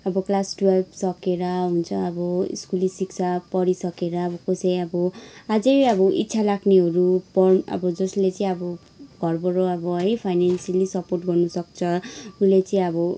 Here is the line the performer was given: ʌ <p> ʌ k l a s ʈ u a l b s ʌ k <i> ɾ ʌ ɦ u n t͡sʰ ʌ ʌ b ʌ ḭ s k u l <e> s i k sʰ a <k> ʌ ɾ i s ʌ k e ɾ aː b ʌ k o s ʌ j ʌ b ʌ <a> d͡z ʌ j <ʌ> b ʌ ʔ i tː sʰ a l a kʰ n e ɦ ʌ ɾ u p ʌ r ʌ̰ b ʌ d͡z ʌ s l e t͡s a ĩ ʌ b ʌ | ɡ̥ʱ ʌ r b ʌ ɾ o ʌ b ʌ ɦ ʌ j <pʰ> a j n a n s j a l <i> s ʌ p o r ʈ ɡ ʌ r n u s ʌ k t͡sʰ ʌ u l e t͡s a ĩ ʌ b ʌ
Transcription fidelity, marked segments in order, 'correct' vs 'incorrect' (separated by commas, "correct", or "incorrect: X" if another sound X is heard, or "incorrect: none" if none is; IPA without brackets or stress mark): incorrect: b, incorrect: e, incorrect: i, incorrect: p, correct, correct, correct, correct